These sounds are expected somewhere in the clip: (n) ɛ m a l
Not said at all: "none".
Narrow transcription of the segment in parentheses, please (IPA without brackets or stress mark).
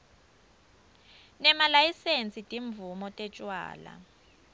n